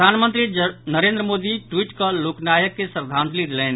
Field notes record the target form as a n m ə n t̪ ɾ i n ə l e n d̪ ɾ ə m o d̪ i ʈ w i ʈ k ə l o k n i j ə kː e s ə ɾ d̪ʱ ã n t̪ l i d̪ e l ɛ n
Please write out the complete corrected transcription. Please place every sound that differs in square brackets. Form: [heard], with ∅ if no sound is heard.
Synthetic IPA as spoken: a n m ə n t̪ ɾ i n ə [ɾ] e n d̪ ɾ ə m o d̪ i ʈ w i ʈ k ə l o k n [a] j ə kː e s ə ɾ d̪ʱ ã n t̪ l i d̪ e l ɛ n